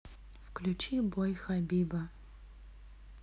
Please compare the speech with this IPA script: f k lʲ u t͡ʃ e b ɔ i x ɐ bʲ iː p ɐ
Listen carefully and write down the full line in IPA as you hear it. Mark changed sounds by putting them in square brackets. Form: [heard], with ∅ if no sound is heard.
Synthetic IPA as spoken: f k lʲ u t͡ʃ [i] b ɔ [j] x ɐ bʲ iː [b] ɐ

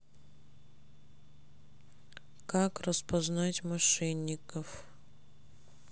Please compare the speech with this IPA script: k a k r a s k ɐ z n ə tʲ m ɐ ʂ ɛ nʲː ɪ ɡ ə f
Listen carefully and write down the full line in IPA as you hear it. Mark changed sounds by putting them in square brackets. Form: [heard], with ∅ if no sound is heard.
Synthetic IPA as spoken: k a k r [ə] s [p] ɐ z n [a] tʲ m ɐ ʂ ɛ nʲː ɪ [k] ə f

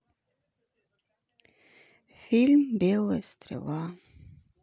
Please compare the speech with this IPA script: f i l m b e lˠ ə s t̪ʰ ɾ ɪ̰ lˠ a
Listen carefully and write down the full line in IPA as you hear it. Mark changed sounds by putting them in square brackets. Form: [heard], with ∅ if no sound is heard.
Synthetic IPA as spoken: f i l m b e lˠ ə s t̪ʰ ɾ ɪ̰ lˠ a

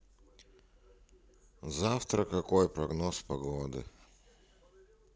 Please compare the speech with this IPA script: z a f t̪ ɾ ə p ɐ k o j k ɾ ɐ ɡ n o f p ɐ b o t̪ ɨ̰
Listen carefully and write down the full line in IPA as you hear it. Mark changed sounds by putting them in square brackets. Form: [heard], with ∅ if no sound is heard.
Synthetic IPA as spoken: z a f t̪ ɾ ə [k] ɐ k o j [p] ɾ ɐ ɡ n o [s] p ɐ [ɡ] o [d̪] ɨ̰

